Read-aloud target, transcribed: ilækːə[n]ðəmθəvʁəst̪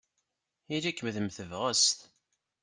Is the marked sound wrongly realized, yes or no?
yes